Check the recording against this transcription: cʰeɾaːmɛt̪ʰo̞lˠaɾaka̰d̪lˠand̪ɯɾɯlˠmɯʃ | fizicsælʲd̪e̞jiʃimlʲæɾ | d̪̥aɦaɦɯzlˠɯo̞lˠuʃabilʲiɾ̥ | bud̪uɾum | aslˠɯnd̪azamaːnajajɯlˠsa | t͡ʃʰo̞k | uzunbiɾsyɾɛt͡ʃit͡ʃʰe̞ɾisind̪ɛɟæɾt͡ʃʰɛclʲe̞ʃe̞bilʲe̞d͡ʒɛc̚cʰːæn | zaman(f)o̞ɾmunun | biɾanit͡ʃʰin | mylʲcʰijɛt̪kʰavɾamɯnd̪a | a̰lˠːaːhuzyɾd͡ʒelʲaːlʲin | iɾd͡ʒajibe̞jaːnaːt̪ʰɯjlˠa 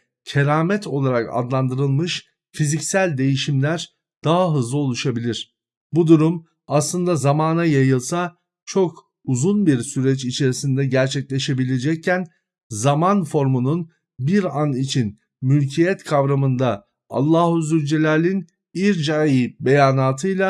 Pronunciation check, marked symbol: correct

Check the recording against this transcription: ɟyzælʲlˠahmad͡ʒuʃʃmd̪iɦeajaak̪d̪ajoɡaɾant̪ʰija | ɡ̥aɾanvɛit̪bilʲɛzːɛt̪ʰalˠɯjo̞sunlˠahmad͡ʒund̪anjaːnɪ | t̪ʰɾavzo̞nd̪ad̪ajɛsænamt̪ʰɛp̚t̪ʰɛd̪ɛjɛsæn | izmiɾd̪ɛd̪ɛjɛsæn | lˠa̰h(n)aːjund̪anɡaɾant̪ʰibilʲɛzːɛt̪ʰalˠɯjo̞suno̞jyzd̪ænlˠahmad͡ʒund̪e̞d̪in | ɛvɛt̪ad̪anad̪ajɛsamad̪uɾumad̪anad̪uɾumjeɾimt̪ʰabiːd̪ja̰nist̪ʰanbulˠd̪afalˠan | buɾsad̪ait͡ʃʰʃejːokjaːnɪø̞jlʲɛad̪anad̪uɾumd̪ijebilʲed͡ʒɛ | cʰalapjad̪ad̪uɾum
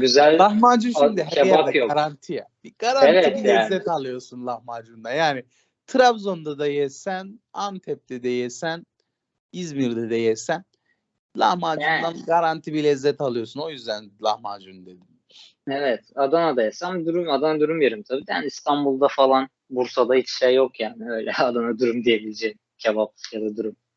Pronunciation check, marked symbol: incorrect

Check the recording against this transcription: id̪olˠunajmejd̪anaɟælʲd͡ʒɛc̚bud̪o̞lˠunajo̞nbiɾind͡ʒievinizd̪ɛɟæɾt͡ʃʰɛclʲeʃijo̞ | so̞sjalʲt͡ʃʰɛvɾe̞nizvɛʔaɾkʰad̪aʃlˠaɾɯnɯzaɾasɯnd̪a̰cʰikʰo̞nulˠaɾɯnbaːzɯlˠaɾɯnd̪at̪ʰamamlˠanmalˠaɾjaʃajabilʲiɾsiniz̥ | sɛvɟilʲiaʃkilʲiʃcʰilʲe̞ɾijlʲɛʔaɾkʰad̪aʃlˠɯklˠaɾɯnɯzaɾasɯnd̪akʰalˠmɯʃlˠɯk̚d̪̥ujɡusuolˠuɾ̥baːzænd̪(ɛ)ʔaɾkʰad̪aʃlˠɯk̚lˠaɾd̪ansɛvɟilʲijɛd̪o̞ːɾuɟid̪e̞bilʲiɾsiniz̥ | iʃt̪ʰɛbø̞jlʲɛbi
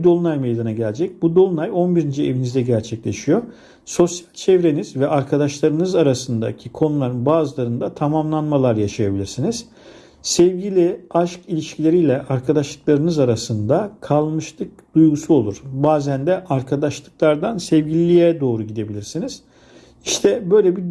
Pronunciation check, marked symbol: correct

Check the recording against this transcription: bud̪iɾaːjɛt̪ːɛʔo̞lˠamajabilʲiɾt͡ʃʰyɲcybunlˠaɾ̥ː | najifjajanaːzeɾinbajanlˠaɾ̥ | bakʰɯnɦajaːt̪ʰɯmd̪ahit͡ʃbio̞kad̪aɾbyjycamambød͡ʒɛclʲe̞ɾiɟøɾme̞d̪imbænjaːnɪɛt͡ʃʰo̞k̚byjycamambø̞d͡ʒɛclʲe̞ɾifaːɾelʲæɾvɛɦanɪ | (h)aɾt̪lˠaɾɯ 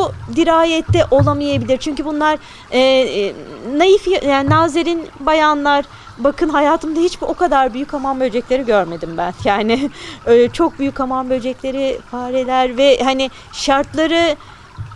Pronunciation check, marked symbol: incorrect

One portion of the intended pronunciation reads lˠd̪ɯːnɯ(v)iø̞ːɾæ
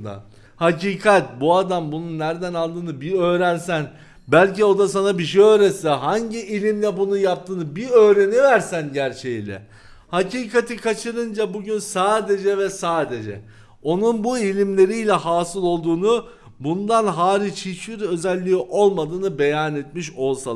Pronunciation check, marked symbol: incorrect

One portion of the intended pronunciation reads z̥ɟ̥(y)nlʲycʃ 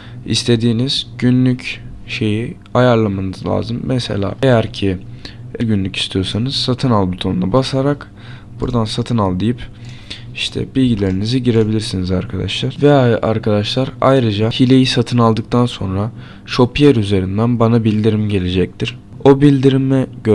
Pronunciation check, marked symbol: correct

